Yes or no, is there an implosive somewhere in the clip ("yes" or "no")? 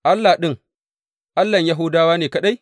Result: yes